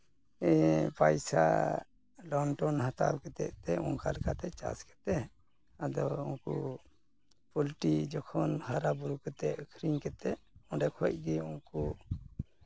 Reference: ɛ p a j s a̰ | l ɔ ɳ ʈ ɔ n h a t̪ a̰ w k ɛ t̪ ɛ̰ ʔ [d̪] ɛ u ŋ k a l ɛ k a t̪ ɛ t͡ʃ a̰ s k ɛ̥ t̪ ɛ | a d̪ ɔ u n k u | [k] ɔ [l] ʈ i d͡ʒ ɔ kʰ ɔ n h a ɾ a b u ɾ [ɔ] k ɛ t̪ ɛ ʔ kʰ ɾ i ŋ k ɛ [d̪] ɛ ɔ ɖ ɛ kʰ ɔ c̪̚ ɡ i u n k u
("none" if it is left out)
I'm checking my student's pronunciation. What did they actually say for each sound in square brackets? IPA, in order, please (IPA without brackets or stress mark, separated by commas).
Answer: t̪, p, l, u, t̪